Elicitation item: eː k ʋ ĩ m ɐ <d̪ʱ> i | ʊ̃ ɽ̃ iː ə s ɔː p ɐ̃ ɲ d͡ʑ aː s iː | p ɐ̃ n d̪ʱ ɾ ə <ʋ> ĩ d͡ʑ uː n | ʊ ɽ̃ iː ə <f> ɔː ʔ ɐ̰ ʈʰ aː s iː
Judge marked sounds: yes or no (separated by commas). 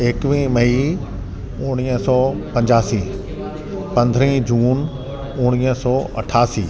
no, no, no